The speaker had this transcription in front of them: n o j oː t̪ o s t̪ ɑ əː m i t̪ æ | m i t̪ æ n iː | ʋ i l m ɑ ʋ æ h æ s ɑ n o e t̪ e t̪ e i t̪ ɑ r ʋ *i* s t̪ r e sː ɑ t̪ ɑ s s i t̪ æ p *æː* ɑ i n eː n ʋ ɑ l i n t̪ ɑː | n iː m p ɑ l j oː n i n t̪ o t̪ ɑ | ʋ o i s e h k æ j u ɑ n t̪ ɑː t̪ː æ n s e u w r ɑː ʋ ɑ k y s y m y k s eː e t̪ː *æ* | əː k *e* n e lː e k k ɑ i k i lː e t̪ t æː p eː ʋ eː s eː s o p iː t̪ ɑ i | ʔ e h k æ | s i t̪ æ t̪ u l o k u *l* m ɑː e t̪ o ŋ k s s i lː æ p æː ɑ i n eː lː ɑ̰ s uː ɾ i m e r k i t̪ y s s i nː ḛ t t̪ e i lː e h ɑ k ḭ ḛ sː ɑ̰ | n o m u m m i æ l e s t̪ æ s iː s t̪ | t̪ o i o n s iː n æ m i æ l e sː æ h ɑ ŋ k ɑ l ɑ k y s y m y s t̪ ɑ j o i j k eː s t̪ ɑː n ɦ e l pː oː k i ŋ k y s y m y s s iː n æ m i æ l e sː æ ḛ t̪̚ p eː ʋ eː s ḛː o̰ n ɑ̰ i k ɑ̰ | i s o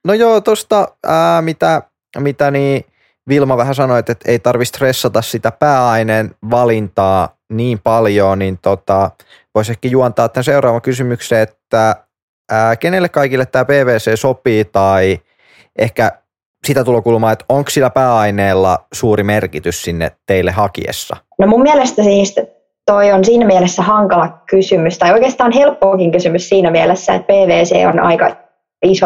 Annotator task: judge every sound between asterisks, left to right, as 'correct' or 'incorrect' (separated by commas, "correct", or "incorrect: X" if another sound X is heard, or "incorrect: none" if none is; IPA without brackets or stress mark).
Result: correct, correct, correct, correct, correct